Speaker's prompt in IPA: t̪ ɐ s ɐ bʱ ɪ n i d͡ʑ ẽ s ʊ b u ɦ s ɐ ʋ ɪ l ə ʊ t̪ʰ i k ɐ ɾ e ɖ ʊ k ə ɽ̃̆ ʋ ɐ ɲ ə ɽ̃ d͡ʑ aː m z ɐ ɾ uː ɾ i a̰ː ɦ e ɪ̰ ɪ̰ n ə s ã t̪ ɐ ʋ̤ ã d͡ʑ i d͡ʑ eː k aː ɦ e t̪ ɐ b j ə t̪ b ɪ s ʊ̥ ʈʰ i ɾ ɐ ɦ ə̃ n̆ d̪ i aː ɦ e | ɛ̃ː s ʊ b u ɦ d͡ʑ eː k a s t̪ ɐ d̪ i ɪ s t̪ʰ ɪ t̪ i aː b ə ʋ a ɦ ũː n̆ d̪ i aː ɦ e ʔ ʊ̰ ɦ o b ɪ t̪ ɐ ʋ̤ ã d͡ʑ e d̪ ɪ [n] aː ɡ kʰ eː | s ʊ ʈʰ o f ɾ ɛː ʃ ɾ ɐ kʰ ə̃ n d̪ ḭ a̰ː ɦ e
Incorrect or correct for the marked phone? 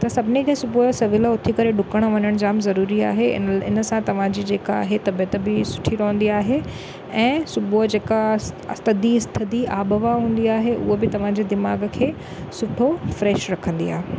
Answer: incorrect: m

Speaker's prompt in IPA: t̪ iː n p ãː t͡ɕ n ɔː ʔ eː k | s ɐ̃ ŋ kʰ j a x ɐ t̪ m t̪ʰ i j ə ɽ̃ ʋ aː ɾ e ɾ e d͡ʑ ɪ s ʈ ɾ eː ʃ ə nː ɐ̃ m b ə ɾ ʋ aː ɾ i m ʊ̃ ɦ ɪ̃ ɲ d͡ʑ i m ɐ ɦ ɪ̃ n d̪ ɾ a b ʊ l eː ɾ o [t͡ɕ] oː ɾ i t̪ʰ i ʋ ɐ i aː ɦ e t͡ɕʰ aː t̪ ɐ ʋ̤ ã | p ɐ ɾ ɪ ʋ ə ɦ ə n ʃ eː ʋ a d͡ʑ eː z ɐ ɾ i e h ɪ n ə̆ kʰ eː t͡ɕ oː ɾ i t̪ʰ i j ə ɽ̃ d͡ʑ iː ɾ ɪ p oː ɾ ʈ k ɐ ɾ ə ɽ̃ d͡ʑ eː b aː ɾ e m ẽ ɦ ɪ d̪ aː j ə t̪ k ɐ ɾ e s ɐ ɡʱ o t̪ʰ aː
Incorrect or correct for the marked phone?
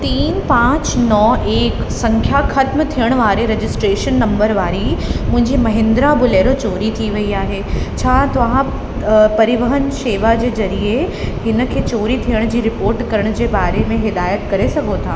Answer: correct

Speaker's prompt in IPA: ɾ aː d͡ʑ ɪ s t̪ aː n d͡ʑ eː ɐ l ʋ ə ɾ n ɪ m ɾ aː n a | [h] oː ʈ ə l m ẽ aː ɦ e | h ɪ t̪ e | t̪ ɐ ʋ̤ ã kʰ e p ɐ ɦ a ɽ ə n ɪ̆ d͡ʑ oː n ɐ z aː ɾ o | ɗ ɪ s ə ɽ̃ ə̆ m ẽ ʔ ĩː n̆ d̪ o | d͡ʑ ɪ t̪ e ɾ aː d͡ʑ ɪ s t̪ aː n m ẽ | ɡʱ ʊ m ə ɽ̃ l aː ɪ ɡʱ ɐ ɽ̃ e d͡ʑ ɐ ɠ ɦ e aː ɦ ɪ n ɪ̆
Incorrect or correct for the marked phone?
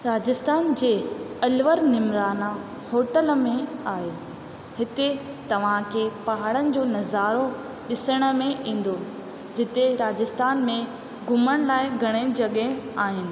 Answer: correct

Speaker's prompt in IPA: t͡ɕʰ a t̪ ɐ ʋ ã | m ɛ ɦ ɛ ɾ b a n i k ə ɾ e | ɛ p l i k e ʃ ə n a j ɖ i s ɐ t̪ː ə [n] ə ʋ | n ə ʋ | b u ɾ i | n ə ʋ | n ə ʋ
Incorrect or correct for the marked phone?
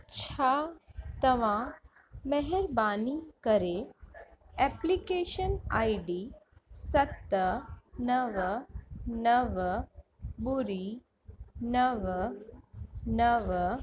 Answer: correct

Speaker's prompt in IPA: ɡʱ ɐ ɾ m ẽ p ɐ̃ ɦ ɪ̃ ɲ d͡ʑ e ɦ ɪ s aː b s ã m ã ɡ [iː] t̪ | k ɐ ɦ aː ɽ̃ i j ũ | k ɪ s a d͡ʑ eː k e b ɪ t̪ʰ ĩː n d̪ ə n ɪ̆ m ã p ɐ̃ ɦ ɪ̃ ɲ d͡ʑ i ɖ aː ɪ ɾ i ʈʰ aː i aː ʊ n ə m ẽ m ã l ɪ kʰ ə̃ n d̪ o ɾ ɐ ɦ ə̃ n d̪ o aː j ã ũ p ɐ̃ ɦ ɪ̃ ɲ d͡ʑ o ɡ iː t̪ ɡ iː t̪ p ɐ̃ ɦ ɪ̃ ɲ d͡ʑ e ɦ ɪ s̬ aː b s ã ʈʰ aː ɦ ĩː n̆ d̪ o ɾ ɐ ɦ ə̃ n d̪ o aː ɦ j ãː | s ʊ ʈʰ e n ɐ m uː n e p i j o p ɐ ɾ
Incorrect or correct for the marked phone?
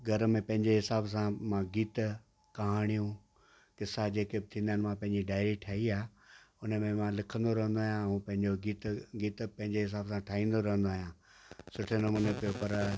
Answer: correct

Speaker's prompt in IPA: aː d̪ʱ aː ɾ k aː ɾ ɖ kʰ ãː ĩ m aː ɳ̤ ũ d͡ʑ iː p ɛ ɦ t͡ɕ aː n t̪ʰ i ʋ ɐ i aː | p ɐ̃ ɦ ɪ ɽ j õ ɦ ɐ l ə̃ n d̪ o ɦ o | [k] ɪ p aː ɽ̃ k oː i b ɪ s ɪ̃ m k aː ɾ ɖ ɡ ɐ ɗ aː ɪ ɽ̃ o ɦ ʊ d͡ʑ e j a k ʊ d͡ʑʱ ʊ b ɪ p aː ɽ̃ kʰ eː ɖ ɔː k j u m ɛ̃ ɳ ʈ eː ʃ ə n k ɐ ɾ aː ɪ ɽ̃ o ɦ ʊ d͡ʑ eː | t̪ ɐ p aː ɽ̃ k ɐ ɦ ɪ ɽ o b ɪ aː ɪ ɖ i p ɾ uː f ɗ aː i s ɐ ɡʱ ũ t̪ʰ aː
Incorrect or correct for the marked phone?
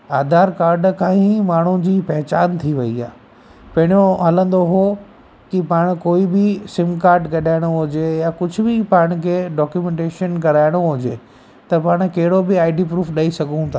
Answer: correct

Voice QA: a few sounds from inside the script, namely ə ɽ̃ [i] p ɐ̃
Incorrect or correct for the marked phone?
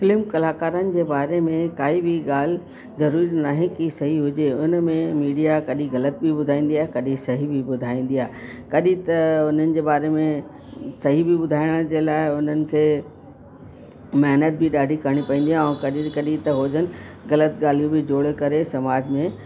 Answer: correct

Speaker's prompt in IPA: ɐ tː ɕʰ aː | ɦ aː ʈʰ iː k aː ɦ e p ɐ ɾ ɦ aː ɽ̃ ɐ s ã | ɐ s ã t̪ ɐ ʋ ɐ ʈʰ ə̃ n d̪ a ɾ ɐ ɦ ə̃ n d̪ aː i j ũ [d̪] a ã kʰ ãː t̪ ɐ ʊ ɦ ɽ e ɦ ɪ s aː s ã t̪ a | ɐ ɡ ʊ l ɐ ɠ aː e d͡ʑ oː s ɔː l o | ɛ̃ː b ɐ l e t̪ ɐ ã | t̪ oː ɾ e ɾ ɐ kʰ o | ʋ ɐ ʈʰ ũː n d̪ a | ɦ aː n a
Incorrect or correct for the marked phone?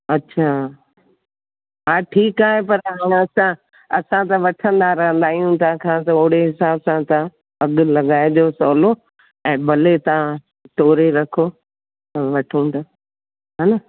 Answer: incorrect: t̪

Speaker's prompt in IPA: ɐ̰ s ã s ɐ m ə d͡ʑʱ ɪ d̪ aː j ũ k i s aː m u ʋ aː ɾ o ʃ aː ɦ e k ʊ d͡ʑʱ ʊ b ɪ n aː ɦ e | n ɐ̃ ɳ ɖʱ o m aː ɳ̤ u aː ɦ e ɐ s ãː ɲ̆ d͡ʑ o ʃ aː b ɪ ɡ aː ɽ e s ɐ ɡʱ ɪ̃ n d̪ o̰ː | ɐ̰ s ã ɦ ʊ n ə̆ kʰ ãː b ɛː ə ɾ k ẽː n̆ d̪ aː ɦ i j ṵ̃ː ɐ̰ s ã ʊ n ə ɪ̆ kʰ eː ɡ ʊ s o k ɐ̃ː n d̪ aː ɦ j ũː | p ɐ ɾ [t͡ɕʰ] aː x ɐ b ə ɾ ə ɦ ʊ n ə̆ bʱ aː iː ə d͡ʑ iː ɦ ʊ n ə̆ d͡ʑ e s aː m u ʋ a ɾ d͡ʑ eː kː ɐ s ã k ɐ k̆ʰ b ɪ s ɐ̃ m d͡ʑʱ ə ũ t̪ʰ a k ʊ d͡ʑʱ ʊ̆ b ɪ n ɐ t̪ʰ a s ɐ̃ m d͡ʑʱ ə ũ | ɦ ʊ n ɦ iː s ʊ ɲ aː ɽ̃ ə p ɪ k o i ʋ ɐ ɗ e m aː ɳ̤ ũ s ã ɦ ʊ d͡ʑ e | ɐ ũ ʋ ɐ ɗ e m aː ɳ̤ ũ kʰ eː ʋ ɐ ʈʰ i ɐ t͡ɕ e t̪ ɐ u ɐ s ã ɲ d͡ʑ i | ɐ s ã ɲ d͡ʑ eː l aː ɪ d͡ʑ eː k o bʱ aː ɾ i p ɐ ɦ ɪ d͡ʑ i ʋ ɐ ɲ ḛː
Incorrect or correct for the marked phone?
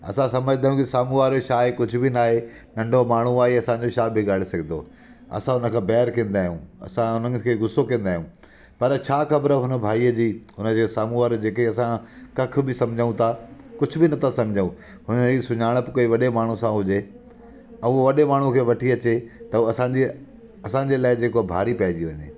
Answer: correct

